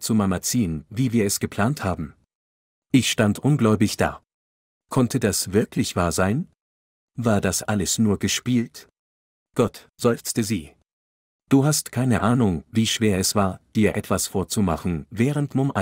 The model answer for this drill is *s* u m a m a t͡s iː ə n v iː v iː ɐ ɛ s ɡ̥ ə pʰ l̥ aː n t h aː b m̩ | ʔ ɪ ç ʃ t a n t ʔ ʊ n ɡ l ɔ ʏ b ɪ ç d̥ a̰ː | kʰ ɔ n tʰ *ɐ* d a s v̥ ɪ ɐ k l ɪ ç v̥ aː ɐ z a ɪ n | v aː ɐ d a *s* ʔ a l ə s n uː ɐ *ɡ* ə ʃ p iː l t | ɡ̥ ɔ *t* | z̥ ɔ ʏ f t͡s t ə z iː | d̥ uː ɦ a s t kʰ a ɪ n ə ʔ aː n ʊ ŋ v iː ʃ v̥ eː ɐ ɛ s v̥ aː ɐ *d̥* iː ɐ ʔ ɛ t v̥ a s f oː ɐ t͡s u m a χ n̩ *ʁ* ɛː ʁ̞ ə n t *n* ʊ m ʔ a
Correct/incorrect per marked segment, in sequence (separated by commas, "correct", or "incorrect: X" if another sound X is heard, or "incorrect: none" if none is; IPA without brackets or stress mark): incorrect: t͡s, incorrect: ə, correct, correct, correct, correct, incorrect: v, incorrect: m